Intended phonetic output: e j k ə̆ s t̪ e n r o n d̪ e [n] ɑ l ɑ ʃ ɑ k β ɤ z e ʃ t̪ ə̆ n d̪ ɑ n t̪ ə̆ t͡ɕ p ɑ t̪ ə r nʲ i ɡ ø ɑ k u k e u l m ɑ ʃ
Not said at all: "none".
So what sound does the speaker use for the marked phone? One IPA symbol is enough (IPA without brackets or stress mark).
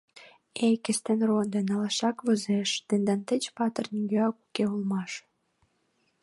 n